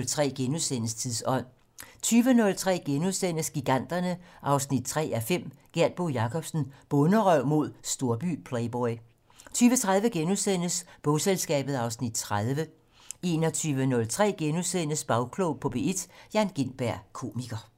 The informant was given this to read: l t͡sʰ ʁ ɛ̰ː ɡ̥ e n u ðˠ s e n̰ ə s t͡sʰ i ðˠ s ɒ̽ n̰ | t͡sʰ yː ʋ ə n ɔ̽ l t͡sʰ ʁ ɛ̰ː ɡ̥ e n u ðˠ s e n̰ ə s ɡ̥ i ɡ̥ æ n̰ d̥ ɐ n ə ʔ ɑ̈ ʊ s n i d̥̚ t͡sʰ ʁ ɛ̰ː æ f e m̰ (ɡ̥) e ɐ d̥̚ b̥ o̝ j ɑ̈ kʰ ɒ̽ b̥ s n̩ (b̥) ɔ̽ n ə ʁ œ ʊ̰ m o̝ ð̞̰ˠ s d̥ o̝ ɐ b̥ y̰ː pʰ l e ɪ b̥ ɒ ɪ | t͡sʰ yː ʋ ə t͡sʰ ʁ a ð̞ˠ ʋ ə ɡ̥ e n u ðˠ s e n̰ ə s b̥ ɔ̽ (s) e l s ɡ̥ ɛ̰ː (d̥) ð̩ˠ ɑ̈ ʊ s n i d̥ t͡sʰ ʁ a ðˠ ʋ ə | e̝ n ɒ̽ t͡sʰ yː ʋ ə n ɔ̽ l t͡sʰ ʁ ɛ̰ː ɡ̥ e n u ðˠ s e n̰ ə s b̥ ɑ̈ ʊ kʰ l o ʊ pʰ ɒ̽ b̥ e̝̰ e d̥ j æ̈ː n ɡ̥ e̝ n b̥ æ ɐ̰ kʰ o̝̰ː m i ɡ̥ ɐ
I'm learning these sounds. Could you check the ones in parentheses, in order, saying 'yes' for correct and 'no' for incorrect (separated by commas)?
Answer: yes, yes, yes, no